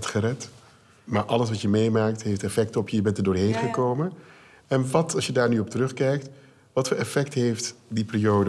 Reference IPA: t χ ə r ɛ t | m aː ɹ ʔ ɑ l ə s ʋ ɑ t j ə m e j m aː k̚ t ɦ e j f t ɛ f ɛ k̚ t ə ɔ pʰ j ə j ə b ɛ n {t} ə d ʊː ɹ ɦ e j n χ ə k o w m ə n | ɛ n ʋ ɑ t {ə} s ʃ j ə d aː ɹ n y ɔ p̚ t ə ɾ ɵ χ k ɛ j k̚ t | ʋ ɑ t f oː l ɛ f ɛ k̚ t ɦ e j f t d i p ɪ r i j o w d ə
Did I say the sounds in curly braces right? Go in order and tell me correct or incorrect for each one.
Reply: correct, incorrect: ɑ

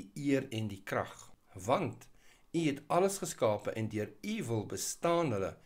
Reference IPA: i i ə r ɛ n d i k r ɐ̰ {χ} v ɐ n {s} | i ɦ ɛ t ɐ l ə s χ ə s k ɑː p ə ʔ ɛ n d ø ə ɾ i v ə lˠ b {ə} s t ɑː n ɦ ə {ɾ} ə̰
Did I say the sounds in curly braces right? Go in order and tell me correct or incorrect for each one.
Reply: correct, incorrect: t, correct, incorrect: l

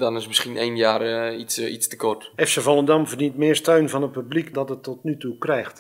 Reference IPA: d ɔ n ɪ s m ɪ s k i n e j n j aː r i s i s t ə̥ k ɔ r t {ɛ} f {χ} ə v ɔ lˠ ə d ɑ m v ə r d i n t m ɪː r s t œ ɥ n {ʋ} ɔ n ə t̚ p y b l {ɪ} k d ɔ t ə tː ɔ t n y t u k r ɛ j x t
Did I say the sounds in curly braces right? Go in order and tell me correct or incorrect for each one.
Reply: correct, incorrect: s, incorrect: v, incorrect: i

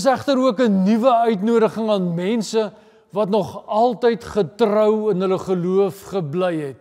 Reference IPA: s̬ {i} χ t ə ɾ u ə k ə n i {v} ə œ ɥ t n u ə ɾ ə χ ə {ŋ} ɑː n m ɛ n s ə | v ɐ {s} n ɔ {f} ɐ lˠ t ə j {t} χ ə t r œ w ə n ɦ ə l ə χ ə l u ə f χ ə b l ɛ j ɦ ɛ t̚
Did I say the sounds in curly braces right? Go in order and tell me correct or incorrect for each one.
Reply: incorrect: æ, correct, correct, incorrect: t, incorrect: χ, correct

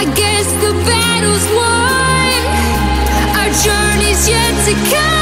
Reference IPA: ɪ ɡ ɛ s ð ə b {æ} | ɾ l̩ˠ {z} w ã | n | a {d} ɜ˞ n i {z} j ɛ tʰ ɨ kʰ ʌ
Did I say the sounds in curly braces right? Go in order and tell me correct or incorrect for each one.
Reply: correct, correct, incorrect: d͡ʒ, correct

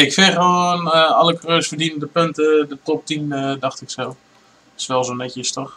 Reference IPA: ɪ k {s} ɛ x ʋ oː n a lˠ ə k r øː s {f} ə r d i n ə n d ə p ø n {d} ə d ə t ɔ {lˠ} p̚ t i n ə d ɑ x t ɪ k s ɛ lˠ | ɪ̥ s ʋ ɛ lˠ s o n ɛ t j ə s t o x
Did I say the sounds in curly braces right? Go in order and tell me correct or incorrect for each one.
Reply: incorrect: f, correct, incorrect: t, incorrect: none

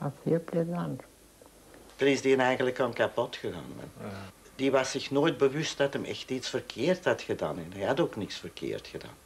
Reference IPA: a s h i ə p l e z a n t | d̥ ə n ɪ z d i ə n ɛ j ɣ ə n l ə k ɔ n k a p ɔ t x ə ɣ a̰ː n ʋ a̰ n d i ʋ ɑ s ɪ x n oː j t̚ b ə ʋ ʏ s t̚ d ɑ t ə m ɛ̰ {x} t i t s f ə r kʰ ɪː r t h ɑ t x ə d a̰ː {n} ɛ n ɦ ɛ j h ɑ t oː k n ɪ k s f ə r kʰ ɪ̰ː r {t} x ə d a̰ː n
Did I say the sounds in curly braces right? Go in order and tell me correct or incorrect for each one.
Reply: correct, correct, correct

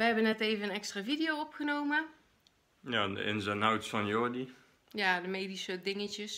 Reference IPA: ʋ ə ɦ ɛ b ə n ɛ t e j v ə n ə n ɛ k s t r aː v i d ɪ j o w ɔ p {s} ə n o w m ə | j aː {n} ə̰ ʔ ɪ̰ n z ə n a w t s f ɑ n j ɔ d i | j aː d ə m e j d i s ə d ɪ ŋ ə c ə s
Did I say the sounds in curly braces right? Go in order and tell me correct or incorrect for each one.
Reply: incorrect: χ, incorrect: d

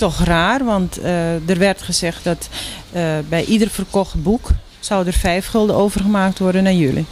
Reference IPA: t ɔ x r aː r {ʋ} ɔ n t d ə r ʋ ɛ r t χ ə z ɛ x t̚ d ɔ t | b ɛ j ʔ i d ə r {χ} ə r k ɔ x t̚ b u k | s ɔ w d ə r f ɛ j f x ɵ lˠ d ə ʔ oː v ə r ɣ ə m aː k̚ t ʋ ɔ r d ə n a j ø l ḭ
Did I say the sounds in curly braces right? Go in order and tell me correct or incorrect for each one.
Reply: correct, incorrect: f

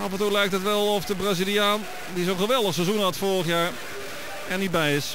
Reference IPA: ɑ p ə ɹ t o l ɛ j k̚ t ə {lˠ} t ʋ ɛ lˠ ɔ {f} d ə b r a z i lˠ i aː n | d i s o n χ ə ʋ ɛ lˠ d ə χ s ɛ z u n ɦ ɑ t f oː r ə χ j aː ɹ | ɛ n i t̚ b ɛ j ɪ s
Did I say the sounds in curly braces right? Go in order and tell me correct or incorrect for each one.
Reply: incorrect: none, correct

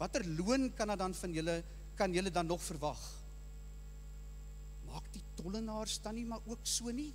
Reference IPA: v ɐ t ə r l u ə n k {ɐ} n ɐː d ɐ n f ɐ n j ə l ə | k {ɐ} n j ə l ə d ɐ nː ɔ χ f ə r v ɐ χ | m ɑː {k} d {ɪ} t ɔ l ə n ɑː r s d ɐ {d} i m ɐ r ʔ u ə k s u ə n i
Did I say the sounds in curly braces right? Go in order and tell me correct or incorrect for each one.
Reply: correct, correct, correct, incorrect: i, incorrect: n

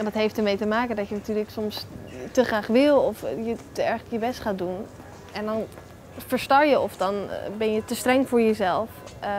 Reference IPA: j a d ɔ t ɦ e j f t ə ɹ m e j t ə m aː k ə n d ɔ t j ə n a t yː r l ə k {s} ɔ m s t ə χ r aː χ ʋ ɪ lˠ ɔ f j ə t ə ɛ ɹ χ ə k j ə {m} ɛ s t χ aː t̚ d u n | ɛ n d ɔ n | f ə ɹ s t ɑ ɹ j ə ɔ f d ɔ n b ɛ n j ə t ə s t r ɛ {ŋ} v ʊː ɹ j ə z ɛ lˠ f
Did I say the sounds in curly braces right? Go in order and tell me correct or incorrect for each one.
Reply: correct, incorrect: b, correct

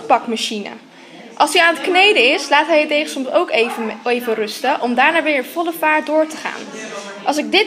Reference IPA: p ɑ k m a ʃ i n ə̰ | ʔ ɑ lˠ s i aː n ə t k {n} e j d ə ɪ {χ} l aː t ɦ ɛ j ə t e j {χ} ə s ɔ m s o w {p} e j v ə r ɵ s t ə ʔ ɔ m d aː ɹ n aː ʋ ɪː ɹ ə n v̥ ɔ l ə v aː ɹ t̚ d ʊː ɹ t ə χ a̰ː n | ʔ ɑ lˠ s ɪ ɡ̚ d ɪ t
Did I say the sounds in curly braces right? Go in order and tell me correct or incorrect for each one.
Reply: correct, incorrect: s, correct, incorrect: k

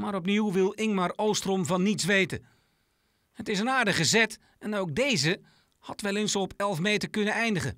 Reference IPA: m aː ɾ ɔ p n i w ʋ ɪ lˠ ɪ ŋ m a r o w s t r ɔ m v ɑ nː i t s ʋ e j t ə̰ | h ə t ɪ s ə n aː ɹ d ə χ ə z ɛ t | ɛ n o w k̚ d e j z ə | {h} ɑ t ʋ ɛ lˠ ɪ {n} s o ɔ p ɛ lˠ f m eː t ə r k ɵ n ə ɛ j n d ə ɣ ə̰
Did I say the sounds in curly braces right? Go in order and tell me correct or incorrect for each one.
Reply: correct, correct

